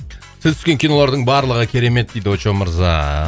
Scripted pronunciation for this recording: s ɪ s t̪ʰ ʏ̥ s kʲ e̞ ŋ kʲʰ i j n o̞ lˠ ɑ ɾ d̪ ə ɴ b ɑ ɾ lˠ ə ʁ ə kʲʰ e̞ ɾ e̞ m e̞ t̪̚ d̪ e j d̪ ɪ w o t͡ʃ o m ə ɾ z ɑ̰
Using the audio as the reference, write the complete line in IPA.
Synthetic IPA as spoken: s ɪ z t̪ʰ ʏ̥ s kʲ e̞ ŋ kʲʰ i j n o̞ lˠ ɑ ɾ d̪ ə ɴ b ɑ ɾ lˠ ə ʁ ə kʲʰ e̞ ɾ e̞ m e̞ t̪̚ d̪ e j d̪ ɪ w o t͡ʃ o m ə ɾ z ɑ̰